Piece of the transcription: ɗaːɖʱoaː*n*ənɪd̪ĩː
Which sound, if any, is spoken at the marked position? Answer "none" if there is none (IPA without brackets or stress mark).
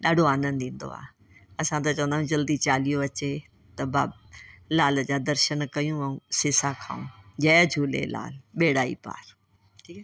n